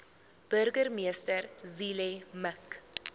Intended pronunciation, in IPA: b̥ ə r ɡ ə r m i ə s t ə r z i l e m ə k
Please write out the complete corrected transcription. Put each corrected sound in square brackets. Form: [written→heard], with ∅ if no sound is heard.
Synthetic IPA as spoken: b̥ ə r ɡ ə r m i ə s t ə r z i l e m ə k